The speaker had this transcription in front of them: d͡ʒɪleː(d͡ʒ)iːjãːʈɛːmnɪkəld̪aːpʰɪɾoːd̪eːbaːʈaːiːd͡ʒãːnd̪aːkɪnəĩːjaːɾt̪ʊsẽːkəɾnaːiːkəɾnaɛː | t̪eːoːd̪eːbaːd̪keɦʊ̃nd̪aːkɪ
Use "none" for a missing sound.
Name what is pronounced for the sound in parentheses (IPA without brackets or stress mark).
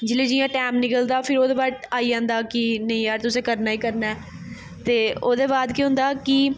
d͡ʒ